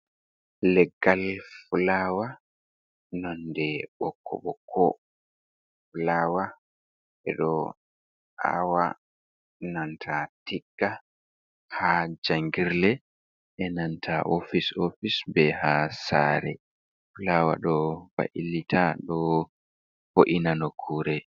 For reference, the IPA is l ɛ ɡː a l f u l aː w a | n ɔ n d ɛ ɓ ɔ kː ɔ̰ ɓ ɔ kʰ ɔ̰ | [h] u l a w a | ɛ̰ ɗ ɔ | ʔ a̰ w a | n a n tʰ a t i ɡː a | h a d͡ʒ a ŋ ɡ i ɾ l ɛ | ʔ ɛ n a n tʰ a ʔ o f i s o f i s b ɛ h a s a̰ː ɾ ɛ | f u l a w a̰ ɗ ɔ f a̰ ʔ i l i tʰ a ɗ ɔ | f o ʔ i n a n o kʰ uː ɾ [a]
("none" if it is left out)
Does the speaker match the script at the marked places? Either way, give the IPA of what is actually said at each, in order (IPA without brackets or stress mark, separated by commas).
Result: f, ɛ